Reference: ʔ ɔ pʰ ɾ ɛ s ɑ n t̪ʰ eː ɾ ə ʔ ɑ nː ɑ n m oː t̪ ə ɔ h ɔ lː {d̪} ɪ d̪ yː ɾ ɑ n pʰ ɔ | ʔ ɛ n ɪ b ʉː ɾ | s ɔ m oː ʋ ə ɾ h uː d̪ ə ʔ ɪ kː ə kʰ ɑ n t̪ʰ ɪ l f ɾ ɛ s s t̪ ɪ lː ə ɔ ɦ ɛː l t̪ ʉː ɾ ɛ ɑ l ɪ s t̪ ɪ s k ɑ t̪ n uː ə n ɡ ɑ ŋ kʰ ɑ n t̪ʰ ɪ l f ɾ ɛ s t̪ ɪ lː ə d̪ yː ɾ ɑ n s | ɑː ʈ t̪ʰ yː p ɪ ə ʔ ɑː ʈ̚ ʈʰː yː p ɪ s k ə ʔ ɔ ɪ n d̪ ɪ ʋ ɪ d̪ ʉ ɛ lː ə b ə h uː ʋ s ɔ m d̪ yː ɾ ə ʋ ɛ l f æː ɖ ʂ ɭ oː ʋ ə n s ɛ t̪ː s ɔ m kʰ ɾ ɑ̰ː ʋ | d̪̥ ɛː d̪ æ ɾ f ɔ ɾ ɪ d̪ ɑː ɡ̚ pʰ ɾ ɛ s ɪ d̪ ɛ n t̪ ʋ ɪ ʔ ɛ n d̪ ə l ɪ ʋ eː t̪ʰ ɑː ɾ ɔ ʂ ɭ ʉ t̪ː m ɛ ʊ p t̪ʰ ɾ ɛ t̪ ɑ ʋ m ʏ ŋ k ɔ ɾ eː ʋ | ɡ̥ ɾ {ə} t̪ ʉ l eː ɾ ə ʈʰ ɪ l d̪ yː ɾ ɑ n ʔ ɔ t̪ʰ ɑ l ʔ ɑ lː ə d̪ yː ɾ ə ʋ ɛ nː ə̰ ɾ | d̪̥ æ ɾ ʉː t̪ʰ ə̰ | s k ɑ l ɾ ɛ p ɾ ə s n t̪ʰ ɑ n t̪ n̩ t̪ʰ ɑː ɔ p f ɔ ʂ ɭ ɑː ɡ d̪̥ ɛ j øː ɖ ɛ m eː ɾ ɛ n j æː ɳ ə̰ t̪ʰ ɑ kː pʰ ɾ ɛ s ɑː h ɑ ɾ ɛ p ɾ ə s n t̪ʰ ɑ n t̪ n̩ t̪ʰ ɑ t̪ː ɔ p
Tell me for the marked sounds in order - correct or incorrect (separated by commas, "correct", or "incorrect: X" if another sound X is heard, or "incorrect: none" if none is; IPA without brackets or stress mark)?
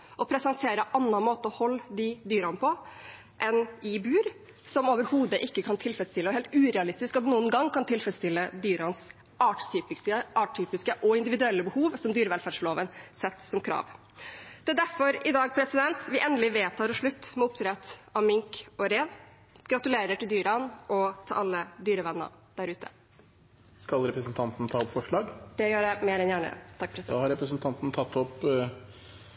correct, incorrect: ɑ